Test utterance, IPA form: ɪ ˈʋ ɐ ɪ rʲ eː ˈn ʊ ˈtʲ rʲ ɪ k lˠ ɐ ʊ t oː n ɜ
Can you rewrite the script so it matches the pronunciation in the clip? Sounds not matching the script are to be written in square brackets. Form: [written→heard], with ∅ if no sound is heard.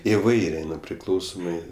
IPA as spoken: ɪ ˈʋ ɐ ɪ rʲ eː ˈn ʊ [ˈtʲ→ˈpʲ] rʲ ɪ k lˠ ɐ ʊ [t→s] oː [n→m] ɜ